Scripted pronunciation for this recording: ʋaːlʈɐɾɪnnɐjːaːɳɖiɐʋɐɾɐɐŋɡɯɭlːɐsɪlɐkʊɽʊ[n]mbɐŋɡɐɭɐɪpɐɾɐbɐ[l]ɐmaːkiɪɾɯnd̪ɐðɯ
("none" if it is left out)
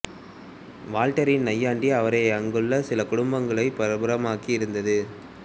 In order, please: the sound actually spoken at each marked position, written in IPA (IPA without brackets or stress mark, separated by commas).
none, ɾ